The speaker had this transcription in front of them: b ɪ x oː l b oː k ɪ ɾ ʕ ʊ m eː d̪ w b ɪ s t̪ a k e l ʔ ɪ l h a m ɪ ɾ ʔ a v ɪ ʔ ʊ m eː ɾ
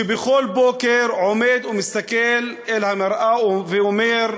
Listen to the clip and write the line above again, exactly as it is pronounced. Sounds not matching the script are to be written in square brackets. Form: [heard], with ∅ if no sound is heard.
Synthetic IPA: b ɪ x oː l b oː k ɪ ɾ ʕ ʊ m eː d̪ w [m] ɪ s t̪ a k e l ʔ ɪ l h a m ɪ ɾ ʔ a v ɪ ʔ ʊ m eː ɾ